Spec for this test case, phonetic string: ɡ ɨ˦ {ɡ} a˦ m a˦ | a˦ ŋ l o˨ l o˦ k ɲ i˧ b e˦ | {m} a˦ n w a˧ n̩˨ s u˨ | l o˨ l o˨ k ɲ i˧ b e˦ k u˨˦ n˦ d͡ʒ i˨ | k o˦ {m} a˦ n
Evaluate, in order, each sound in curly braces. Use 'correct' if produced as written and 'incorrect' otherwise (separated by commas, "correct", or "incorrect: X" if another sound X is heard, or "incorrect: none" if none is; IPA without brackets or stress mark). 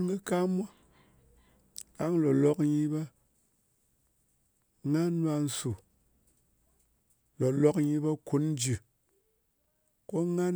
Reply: incorrect: k, incorrect: ŋ, incorrect: ŋ